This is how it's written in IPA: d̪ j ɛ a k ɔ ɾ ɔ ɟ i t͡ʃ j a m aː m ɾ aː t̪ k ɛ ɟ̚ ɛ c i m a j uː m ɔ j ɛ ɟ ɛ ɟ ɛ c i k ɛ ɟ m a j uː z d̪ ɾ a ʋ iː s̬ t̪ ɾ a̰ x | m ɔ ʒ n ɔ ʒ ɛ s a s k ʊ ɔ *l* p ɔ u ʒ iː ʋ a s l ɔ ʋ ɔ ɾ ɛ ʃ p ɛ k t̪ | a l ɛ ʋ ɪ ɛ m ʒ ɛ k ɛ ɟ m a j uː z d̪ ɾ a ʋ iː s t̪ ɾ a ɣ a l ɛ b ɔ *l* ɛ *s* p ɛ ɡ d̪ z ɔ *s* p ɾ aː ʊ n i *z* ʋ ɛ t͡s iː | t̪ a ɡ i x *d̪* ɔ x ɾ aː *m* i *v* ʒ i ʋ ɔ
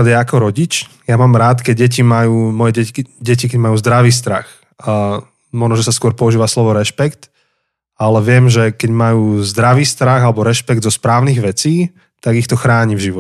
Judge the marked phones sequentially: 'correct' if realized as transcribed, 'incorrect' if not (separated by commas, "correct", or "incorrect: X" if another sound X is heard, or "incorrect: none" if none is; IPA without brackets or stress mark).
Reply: incorrect: ɾ, incorrect: ɾ, incorrect: ʃ, correct, incorrect: ɣ, incorrect: t̪, incorrect: ɲ, correct